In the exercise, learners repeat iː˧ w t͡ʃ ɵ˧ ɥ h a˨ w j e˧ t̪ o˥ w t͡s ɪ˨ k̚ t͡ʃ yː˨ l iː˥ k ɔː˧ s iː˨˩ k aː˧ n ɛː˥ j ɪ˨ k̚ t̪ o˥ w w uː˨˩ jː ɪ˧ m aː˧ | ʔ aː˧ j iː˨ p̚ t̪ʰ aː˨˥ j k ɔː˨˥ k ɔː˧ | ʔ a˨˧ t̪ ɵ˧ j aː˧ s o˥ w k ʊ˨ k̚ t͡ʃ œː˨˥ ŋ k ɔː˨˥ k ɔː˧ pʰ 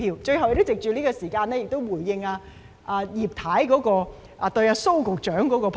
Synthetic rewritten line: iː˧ w t͡ʃ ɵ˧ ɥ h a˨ w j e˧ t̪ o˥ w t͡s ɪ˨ k̚ t͡ʃ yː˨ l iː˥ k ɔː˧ s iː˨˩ k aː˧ n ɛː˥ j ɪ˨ k̚ t̪ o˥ w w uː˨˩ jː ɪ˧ ŋ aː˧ | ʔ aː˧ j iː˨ p̚ t̪ʰ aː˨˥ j k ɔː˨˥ k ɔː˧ | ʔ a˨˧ t̪ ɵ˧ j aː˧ s o˥ w k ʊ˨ k̚ t͡ʃ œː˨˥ ŋ k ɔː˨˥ k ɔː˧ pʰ